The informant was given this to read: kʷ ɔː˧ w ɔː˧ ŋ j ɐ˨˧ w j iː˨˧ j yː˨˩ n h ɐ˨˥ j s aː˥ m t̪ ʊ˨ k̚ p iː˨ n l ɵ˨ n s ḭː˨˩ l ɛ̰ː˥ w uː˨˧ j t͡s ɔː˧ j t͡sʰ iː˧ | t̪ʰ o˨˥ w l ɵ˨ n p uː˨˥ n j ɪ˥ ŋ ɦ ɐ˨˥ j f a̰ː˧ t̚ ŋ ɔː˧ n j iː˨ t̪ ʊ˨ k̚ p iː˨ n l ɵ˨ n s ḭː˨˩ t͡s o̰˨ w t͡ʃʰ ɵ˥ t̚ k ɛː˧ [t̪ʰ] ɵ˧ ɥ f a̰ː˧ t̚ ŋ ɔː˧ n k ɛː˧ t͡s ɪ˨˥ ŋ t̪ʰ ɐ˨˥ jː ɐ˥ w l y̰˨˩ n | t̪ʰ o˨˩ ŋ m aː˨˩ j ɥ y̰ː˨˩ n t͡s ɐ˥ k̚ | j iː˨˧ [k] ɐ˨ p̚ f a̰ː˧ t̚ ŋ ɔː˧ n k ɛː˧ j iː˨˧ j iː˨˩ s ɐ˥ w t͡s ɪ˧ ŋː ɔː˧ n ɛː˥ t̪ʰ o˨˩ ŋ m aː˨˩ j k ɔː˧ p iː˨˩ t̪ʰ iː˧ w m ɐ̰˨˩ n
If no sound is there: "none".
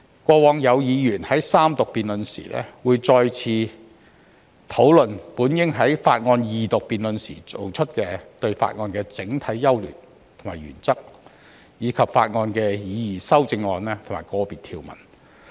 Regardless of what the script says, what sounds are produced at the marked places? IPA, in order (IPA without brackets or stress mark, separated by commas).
t̪, kʰ